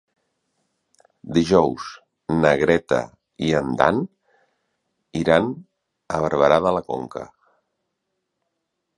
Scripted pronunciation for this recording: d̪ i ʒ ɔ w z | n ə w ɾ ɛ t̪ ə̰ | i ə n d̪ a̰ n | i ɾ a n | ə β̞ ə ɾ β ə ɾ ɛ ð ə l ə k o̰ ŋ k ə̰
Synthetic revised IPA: d̪ i ʒ ɔ w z | n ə ɣ ɾ ɛ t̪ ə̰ | i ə n d̪ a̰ n | i ɾ a n | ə β̞ ə ɾ β ə ɾ a ð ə l ə k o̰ ŋ k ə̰